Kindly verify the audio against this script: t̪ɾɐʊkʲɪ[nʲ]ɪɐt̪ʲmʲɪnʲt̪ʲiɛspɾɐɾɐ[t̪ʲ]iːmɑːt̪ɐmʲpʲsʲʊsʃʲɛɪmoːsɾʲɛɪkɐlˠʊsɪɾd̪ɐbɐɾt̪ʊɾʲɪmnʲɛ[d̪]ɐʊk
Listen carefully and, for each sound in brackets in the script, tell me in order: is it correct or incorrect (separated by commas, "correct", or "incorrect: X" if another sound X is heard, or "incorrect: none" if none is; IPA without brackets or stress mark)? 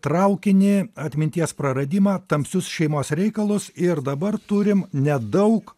correct, incorrect: d̪ʲ, correct